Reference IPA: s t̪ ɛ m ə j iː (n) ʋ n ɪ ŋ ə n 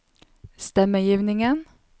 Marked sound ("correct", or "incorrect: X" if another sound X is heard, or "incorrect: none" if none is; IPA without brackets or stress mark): incorrect: none